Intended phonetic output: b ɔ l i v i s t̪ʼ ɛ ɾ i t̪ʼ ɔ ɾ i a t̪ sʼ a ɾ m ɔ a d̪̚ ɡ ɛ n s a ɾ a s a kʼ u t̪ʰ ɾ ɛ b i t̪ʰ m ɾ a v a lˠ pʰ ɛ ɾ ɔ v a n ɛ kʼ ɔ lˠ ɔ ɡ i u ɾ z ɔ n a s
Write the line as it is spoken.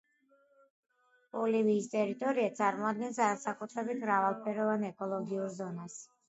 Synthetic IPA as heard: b ɔ l i v iː s t̪ʼ ɛ ɾ i t̪ʼ ɔ ɾ i a t̪ sʼ a ɾ m ɔ a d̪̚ ɡ ɛ n s a ɾ a s a kʼ u t̪ʰ ɾ ɛ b i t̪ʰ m ɾ a v a lˠ pʰ ɛ ɾ ɔ v a n ɛ kʼ ɔ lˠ ɔ ɡ i u ɾ z ɔ n a s